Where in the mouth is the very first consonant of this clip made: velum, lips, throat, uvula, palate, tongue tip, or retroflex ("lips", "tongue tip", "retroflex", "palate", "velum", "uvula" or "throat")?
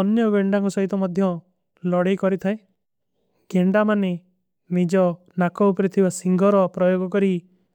tongue tip